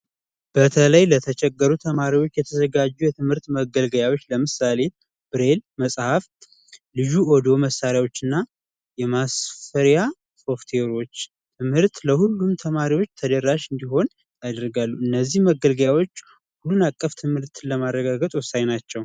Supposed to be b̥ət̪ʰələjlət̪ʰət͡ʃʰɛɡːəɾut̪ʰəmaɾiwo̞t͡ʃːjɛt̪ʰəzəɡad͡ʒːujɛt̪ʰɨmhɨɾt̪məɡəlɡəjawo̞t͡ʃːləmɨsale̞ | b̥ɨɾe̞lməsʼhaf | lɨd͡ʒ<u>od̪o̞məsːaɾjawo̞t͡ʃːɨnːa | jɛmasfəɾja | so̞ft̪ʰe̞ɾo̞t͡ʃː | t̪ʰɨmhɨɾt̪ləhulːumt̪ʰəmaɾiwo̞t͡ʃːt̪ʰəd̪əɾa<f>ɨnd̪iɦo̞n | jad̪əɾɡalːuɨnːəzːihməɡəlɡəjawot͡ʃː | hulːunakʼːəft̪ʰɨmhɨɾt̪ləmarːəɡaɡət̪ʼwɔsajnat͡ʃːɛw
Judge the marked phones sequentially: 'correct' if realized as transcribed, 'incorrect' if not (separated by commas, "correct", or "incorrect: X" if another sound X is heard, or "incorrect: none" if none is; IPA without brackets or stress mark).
correct, incorrect: ʃ